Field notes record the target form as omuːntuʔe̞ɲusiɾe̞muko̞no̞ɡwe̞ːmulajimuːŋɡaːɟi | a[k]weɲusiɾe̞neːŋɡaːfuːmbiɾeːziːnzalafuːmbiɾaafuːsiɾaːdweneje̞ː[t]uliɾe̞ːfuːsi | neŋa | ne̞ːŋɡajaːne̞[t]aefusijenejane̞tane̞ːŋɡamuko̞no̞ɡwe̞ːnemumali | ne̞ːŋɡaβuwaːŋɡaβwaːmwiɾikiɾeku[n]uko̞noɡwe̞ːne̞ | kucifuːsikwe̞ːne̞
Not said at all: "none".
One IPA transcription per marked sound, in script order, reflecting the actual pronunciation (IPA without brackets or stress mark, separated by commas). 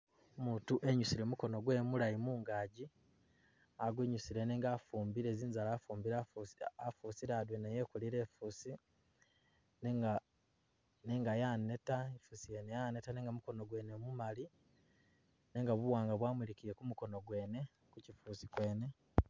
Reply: ɡ, k, t, m